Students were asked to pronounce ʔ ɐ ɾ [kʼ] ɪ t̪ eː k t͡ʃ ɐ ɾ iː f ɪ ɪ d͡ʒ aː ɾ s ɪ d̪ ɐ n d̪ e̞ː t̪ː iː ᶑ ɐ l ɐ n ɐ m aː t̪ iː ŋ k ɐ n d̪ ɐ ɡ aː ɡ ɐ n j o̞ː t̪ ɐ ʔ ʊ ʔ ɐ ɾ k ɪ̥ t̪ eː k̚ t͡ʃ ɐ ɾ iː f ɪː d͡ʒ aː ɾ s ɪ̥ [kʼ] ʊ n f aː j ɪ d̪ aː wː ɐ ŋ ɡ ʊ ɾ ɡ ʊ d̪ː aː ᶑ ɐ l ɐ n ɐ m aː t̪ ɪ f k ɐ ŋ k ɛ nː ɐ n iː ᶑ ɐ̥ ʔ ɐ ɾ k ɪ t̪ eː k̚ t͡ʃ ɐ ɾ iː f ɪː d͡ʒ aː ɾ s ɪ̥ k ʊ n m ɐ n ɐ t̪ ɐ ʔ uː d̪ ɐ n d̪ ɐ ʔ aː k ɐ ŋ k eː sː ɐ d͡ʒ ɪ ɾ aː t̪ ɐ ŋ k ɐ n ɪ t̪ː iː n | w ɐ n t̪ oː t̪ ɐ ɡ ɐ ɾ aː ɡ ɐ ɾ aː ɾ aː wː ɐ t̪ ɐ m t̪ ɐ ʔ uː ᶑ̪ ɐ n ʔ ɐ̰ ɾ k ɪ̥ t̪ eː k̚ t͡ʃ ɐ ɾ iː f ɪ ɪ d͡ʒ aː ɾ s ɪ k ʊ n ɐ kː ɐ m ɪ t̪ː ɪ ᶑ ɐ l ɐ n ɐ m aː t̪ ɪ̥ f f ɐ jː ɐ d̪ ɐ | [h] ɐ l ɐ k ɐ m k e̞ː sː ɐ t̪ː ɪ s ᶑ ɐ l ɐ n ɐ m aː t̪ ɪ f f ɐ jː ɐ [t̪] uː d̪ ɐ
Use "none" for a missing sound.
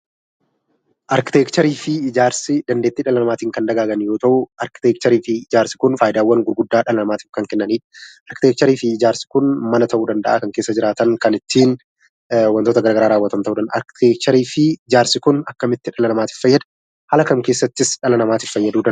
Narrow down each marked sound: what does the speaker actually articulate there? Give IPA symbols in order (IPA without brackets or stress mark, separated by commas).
k, k, h, d̪